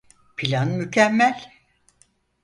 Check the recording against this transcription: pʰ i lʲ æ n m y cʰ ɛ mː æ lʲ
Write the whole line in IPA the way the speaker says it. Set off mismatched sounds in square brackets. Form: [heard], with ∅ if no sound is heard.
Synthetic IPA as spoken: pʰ i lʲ [a] n m y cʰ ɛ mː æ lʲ

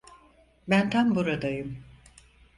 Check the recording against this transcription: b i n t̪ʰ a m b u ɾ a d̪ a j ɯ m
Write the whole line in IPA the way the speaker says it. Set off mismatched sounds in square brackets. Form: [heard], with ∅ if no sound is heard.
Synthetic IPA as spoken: b [æ] n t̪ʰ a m b u ɾ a d̪ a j ɯ m

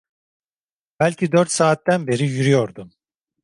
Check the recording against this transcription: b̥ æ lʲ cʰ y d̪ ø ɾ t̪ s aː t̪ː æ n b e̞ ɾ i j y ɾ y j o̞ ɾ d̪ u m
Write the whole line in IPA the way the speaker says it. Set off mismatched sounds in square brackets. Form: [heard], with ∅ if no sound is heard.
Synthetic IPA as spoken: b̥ æ lʲ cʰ [i] d̪ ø ɾ t̪ s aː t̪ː æ n b e̞ ɾ i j y ɾ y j o̞ ɾ d̪ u m

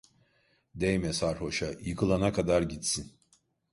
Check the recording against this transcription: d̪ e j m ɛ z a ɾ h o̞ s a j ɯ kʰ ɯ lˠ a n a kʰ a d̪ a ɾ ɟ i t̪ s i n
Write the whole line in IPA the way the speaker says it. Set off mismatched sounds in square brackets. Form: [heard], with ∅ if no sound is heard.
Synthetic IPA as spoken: d̪ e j m ɛ [s] a ɾ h o̞ [ʃ] a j ɯ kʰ ɯ lˠ a n a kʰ a d̪ a ɾ ɟ i t̪ s i n

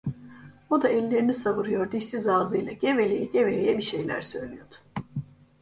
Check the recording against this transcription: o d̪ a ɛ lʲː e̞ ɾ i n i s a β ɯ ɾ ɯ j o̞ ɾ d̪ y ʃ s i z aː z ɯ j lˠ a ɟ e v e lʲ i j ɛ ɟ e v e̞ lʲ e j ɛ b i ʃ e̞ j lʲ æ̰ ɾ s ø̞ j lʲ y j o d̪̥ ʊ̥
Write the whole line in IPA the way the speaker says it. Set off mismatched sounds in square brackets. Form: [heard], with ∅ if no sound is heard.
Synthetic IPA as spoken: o d̪ a ɛ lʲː e̞ ɾ i n i s a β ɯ ɾ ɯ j o̞ ɾ d̪ [i] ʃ s i z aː z ɯ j lˠ a ɟ e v e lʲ [e] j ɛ ɟ e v e̞ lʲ e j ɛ b i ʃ e̞ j lʲ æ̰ ɾ s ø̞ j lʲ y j o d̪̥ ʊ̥

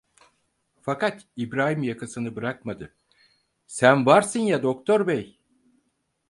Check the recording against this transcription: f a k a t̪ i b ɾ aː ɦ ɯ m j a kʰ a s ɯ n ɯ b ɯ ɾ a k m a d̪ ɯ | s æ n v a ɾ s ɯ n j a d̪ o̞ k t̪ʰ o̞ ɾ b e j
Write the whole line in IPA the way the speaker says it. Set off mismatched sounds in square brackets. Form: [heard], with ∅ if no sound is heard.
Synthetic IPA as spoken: f a k a t̪ i b ɾ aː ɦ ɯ m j a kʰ a s ɯ n ɯ b ɯ ɾ a k m a d̪ ɯ | s æ n v a ɾ s ɯ n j a d̪ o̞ k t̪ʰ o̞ ɾ b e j

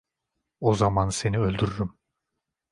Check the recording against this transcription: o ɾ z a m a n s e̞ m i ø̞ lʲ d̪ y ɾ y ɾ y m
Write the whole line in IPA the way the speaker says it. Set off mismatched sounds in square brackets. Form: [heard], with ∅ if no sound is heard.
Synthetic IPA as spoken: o [∅] z a m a n s e̞ [n] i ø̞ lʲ d̪ y ɾ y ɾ y m

